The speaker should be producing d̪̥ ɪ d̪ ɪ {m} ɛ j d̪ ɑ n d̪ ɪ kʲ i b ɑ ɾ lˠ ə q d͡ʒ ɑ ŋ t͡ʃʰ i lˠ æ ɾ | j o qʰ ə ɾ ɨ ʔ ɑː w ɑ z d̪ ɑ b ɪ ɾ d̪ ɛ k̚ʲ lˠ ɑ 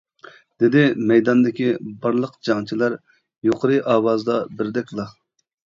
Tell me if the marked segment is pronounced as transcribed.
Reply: yes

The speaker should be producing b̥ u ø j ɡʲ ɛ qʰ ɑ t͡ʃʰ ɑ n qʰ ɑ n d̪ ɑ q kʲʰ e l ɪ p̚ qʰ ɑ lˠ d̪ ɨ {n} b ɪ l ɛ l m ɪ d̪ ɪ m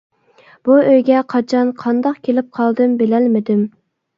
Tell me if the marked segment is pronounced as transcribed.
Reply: no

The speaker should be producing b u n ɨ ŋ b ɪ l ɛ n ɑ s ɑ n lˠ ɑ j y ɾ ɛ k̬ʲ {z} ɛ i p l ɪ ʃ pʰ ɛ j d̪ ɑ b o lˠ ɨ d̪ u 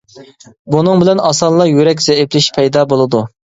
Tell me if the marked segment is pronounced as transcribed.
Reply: yes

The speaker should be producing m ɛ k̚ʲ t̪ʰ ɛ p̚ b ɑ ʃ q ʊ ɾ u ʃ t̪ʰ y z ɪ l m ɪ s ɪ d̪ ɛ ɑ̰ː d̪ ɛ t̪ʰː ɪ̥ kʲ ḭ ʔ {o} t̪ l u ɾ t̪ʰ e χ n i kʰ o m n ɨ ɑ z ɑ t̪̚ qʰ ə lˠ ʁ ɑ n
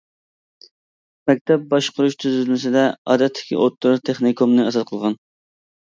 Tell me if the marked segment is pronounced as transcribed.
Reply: yes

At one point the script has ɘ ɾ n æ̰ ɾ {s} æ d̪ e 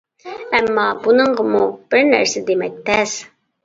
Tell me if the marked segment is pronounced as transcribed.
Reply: yes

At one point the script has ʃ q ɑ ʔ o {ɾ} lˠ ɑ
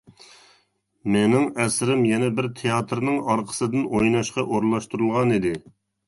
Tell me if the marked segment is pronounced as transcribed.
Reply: yes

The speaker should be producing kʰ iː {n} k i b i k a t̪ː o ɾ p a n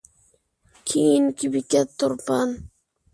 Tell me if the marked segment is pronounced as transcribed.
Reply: yes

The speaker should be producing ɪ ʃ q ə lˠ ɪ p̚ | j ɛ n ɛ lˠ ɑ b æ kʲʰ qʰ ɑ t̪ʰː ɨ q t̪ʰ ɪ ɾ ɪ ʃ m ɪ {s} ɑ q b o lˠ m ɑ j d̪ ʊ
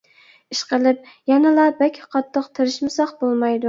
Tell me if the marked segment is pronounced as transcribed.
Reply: yes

